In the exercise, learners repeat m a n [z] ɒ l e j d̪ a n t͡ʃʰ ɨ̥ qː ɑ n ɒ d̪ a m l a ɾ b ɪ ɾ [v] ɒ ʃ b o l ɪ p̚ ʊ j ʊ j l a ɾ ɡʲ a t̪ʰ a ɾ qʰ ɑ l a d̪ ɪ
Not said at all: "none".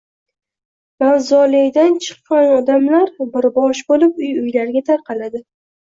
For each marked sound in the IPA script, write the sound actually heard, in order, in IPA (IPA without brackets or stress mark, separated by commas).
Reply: z, b